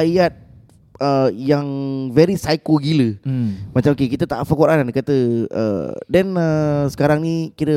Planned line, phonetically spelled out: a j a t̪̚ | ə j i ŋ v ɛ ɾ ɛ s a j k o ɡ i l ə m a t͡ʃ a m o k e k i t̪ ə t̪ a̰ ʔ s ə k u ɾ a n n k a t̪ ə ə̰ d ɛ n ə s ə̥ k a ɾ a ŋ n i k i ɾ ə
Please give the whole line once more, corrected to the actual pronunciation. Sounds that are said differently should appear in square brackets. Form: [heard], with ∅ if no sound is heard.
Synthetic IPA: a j a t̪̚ | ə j [a] ŋ v ɛ ɾ [i] s a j k o ɡ i l ə m a t͡ʃ a m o k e k i t̪ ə t̪ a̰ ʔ [f] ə k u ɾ a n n k a t̪ ə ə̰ d ɛ n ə s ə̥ k a ɾ a ŋ n i k i ɾ ə